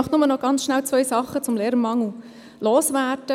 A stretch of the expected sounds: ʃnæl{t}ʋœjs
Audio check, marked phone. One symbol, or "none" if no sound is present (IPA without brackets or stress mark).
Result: t͡s